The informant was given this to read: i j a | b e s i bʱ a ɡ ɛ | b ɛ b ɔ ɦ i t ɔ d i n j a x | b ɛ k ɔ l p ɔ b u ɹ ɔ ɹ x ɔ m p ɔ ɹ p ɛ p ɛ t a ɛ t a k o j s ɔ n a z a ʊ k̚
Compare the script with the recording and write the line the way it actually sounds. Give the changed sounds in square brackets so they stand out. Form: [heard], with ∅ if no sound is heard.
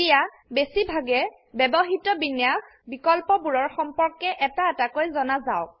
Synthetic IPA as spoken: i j a | b e s i bʱ a ɡ ɛ | b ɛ b ɔ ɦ i t ɔ [b] i n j a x | b [i] k ɔ l p ɔ b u ɹ ɔ ɹ x ɔ m p ɔ ɹ [k] ɛ [ʔ] ɛ t a ɛ t a k o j [z] ɔ n a z a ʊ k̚